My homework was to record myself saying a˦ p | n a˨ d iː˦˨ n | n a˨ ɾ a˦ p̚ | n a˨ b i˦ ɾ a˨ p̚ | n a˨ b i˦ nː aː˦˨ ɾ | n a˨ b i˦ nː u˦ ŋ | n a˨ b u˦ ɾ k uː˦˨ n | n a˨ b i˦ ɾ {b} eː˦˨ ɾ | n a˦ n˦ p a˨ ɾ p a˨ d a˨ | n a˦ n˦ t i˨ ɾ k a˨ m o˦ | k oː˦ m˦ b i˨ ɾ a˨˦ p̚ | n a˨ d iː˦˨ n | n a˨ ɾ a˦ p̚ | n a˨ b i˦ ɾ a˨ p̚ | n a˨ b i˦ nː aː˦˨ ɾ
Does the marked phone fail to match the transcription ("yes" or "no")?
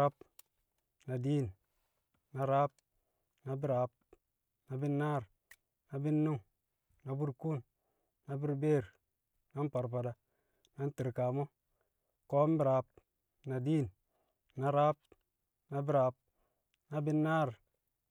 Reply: no